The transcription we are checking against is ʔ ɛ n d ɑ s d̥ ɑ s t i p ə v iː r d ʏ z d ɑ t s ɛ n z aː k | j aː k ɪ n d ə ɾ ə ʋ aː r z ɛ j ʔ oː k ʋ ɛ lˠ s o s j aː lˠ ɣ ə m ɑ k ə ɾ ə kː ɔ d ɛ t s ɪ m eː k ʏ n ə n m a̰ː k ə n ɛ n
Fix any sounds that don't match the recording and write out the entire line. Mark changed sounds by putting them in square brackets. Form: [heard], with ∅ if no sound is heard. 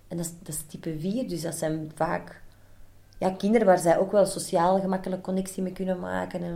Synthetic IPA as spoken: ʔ ɛ n d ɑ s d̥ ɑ s t i p ə v iː r d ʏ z d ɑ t s ɛ n [v] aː k | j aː k ɪ n d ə ɾ ə ʋ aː r z ɛ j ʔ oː k ʋ ɛ lˠ s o s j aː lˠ ɣ ə m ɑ k ə [l] ə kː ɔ [n] ɛ [k] s [i] m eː k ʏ n ə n m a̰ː k ə n ɛ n